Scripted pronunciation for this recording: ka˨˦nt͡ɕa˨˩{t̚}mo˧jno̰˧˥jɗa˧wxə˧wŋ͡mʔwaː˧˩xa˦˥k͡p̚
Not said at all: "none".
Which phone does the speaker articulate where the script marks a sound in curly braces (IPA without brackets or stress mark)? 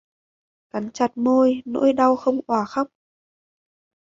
t̚